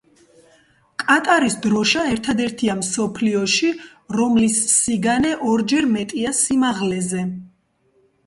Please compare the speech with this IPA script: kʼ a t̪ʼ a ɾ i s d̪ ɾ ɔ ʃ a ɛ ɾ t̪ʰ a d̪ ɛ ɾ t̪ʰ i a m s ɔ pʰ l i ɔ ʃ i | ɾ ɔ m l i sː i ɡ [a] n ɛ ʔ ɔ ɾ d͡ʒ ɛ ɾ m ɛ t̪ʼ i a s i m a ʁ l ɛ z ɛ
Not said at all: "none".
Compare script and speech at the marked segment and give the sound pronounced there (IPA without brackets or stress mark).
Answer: a